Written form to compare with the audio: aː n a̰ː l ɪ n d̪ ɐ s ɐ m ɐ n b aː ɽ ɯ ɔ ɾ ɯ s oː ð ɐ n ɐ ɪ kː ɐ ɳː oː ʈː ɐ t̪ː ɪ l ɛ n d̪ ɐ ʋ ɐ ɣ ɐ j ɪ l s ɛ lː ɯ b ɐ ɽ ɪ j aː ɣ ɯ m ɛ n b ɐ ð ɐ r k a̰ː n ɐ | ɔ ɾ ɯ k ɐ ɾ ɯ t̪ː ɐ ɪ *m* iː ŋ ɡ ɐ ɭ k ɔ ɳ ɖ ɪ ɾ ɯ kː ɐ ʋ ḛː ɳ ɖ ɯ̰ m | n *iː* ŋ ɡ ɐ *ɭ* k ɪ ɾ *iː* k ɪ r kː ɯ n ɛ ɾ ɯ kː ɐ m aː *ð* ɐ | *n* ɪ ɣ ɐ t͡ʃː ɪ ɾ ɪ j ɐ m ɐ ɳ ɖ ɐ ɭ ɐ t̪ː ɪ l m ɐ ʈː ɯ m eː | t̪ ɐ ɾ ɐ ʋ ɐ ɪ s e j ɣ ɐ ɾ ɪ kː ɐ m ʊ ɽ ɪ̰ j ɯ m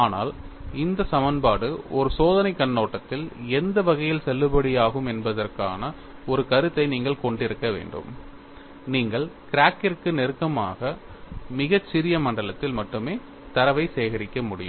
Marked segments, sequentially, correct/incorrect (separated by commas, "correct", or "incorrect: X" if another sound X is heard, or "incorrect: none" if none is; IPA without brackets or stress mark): incorrect: n, correct, correct, incorrect: aː, incorrect: ɣ, incorrect: m